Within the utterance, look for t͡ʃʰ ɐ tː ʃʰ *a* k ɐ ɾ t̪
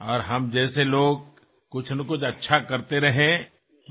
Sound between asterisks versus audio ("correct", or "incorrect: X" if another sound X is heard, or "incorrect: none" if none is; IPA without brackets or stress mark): correct